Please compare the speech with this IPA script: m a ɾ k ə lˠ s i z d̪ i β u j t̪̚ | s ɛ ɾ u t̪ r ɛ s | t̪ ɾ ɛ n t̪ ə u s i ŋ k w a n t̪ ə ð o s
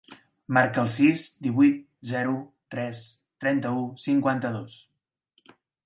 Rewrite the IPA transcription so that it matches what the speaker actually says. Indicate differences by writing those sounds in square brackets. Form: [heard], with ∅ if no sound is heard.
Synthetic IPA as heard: m a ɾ k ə lˠ s i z d̪ i β u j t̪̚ | [z] ɛ ɾ u t̪ [ɾ] ɛ s | t̪ ɾ ɛ n t̪ ə u s i ŋ k w a n t̪ ə ð o s